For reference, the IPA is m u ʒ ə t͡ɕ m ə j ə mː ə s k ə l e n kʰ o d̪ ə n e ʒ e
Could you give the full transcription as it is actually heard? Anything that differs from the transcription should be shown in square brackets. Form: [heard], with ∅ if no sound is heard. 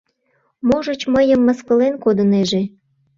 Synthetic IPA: m [o] ʒ ə t͡ɕ m ə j ə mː ə s k ə l e n [k] o d̪ ə n e ʒ e